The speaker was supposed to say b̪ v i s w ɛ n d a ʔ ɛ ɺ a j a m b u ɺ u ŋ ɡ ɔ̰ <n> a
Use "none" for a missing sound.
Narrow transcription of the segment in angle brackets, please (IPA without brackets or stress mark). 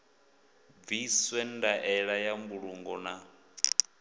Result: n